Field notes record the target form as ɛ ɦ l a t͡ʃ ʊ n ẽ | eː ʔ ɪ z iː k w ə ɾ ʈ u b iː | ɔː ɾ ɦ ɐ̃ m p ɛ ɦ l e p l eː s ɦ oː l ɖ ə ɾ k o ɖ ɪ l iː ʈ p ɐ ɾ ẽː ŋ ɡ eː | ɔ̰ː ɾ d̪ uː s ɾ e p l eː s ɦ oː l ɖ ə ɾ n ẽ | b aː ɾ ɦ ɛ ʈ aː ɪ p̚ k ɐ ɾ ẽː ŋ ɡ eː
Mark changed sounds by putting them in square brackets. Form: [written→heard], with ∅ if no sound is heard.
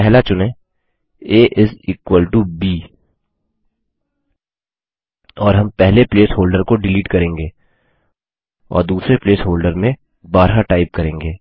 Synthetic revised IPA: ɛ ɦ l a t͡ʃ ʊ n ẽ | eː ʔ ɪ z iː k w ə [ɾ→l] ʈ u b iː | ɔː ɾ ɦ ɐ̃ m p ɛ ɦ l e p l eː s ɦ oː l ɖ ə ɾ k o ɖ ɪ l iː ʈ [p→k] ɐ ɾ ẽː ŋ ɡ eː | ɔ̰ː ɾ d̪ uː s ɾ e p l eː s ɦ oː l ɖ ə ɾ [n→m] ẽ | b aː ɾ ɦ [ɛ→a] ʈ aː ɪ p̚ k ɐ ɾ ẽː ŋ ɡ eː